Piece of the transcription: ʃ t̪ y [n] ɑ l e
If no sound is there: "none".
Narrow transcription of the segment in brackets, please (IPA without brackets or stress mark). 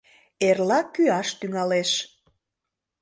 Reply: ŋ